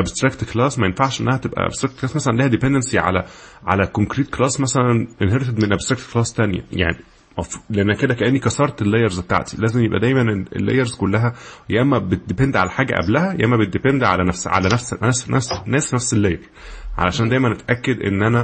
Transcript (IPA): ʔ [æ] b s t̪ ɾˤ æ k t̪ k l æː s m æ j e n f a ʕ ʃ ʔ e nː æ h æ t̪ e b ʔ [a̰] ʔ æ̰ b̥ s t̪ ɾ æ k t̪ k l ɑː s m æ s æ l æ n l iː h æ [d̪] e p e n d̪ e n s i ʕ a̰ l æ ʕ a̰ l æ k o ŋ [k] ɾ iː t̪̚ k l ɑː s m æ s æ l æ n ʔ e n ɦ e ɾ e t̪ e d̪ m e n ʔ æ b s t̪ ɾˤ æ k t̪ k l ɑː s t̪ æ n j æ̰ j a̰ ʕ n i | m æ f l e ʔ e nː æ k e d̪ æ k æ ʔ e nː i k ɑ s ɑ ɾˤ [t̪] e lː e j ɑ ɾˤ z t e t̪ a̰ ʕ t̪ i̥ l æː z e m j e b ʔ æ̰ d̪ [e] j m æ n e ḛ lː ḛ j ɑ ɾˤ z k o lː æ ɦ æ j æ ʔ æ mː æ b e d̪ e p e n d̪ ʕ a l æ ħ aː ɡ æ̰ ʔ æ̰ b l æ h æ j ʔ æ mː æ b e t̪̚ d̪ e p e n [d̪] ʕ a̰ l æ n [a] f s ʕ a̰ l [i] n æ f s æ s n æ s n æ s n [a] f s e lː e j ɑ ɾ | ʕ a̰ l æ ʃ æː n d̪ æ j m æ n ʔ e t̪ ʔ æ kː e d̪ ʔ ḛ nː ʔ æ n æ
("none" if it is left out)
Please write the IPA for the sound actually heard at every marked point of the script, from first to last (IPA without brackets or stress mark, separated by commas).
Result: æ, æ̰, d̪, k, t̪, æ, d̪, æ, æ, æ